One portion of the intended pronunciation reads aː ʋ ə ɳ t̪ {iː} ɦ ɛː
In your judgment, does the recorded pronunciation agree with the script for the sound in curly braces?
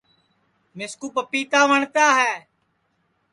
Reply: no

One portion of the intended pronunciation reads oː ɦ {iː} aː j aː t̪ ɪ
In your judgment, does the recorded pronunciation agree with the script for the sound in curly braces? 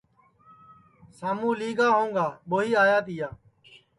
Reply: yes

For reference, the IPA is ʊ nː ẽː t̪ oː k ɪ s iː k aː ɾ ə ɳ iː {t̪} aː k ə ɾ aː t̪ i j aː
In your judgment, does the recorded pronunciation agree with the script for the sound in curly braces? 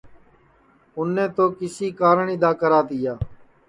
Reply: no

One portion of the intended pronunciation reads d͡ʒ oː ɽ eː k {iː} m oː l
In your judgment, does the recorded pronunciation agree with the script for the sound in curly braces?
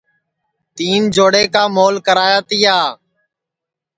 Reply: no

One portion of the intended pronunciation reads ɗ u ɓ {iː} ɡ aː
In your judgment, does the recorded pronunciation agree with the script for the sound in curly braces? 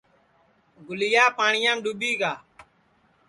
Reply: yes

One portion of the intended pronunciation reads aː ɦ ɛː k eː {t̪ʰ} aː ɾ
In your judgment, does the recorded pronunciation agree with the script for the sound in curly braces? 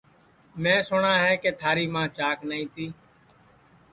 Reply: yes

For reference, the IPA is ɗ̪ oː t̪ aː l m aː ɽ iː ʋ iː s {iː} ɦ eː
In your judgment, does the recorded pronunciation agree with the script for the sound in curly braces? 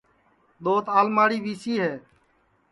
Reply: yes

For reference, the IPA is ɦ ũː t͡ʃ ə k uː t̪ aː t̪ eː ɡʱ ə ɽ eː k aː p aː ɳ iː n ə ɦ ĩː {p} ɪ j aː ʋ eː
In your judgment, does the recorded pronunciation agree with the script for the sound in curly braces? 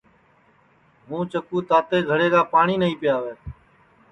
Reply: yes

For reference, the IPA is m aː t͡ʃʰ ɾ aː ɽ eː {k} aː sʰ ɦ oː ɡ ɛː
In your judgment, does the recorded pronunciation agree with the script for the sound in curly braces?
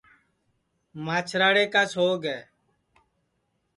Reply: yes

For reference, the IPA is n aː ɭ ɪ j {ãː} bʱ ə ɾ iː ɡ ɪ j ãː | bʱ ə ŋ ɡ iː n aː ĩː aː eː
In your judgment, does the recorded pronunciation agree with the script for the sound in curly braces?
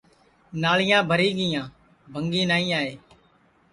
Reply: yes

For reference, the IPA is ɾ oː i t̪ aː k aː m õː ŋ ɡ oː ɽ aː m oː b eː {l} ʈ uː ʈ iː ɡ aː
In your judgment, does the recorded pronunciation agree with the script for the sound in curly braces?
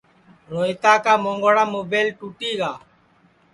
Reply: yes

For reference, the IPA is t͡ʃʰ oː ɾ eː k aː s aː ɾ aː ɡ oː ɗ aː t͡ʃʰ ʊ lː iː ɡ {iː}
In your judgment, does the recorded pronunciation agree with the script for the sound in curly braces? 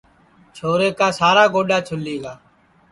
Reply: no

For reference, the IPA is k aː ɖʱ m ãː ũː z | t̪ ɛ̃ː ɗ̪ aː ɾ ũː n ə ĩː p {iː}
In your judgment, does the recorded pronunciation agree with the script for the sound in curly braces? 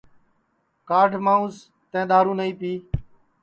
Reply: yes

